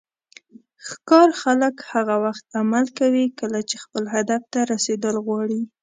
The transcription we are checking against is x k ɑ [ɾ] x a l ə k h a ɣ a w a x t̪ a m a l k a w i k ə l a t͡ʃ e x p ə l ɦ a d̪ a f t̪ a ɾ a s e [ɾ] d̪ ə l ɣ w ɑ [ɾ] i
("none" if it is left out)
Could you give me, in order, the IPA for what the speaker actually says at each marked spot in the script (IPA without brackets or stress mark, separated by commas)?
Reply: ɾ, none, ɽ